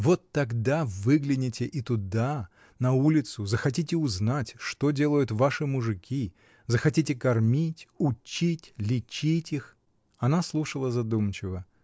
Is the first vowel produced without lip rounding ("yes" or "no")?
no